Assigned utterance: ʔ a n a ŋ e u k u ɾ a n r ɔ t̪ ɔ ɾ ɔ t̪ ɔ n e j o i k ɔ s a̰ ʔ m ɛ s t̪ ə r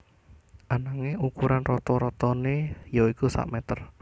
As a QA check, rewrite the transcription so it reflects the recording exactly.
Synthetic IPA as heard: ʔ a n a ŋ e u k u ɾ a n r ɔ t̪ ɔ ɾ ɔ t̪ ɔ n e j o i k u s a̰ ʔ m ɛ t̪ ə r